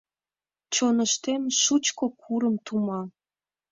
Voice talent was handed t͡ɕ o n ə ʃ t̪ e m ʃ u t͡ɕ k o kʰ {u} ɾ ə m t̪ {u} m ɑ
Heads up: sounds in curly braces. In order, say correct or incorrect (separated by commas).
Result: correct, correct